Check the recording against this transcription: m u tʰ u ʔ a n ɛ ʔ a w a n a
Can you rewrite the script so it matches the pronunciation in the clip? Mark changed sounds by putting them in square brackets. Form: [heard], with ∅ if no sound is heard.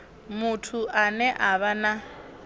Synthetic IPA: m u tʰ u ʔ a n ɛ ʔ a [β] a n a

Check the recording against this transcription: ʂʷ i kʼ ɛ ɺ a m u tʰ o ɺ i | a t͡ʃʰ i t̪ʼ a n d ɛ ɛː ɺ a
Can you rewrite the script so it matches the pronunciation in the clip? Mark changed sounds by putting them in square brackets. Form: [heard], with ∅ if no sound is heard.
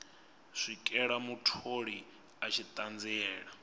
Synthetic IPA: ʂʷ i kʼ ɛ ɺ a m u tʰ o ɺ i | a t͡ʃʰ i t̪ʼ a n [d͡z] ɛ ɛː ɺ a

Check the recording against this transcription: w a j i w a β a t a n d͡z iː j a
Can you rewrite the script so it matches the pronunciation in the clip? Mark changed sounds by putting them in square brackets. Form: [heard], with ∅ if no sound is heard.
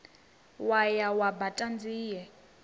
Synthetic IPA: w a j [a] w a [b] a [tʼ] a n d͡z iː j [ɛ]

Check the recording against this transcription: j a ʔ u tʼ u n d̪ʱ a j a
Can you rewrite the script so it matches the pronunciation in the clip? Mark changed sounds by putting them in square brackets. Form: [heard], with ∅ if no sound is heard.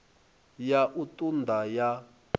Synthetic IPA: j a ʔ u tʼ u n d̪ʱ a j a

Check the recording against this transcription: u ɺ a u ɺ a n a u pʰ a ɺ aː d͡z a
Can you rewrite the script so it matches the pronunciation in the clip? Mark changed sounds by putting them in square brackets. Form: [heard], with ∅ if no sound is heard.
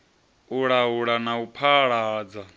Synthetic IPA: u ɺ a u ɺ a n a u pʰ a ɺ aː d͡z a

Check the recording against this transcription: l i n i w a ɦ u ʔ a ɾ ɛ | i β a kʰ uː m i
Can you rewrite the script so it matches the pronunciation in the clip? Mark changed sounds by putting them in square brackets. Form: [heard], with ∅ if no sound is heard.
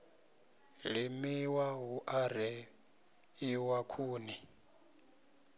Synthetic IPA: l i [m] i w a ɦ u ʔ a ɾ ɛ | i [w] a kʰ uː [n] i

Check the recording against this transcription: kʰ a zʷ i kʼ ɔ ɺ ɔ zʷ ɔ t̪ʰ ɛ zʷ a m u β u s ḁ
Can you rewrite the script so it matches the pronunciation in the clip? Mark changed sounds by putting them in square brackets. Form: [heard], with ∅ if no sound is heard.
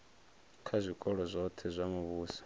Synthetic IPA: kʰ a zʷ i kʼ ɔ ɺ ɔ zʷ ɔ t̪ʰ ɛ zʷ a m u β [uː] s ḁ

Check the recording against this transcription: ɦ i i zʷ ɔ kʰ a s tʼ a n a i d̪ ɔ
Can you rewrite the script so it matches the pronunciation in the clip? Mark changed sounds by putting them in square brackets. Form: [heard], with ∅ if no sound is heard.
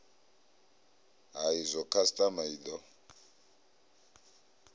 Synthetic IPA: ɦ [a] i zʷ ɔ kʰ a s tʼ a [m] a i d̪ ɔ

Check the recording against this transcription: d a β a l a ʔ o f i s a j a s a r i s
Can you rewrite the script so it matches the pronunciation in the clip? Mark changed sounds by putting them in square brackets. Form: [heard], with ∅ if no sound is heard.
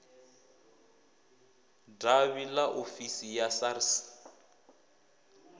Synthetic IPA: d a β [i] l a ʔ o f i s [i] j a s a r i s

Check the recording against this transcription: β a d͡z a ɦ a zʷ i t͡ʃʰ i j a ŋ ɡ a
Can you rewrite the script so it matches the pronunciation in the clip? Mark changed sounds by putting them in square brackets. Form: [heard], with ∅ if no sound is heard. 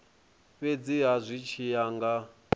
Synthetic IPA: β [e] d͡z [i] ɦ a zʷ i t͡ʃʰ i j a ŋ ɡ a

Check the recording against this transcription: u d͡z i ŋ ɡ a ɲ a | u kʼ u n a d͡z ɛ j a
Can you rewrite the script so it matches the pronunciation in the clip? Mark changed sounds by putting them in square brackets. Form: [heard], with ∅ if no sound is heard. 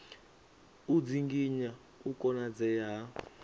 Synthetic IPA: u d͡z i ŋ ɡ [i] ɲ a | u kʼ [ɔ] n a d͡z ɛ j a

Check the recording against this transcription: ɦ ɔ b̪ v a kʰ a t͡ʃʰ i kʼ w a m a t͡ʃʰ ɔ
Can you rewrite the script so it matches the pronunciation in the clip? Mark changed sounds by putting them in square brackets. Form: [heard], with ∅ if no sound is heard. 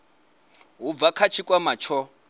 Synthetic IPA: ɦ [u] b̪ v a kʰ a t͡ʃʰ i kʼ w a m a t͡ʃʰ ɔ

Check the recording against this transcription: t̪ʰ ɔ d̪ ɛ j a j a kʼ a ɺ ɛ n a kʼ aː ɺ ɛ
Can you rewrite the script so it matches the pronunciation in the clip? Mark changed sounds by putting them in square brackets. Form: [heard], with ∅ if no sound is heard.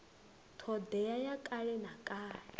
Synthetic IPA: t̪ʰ ɔ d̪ ɛ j a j a kʼ a ɺ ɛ n a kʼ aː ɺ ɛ

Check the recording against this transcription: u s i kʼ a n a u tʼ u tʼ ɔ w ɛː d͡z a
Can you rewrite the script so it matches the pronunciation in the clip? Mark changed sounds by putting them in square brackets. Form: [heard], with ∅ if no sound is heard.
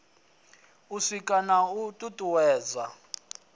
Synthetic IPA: u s i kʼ a n a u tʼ u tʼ [u] w ɛː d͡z a

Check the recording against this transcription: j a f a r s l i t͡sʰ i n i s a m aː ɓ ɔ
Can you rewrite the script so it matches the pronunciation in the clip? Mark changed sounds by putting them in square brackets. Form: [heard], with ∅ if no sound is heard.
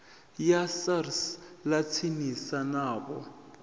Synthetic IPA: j a [s] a r s l [a] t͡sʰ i n i s a [n] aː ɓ ɔ

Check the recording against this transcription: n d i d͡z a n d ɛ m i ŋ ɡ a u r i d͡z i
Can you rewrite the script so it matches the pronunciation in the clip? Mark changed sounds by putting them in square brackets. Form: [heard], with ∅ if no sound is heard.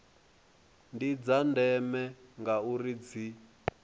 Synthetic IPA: n d i d͡z a n d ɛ m [ɛ] ŋ ɡ a u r i d͡z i

